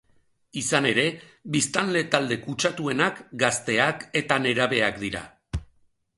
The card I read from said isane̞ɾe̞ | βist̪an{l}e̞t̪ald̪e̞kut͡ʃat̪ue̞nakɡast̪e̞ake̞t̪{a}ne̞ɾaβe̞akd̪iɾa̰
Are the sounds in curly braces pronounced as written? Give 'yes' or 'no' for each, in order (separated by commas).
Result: yes, yes